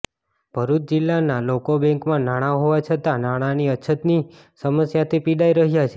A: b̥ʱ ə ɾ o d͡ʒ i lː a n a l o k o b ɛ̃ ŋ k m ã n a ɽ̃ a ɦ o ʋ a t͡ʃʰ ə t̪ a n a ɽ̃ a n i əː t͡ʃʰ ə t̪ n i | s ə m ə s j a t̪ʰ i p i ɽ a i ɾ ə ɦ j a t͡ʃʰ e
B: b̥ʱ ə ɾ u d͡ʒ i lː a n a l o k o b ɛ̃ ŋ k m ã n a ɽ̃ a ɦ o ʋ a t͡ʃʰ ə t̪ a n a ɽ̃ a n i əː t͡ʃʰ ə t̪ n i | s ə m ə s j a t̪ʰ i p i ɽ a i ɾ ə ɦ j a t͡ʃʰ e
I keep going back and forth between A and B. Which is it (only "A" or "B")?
B